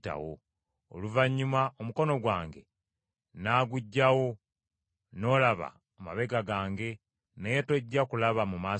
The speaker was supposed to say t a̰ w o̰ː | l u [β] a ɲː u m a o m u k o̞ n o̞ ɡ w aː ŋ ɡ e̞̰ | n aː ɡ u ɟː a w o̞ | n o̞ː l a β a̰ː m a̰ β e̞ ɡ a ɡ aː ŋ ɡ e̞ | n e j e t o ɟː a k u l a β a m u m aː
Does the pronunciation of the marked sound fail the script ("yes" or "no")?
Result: yes